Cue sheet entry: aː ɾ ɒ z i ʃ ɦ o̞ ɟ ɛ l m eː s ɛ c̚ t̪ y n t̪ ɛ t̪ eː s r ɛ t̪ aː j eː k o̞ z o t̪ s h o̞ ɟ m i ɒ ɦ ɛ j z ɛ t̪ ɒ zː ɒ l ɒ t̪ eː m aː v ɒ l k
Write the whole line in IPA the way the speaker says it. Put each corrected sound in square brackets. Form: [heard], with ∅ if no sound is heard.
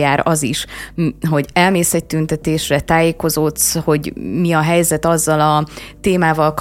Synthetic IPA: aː ɾ ɒ z i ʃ ɦ o̞ ɟ ɛ l m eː s ɛ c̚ t̪ y n t̪ ɛ t̪ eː [ʃ] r ɛ t̪ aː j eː k o̞ z o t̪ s h o̞ ɟ m i ɒ ɦ ɛ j z ɛ t̪ ɒ zː ɒ l ɒ t̪ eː m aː v ɒ l k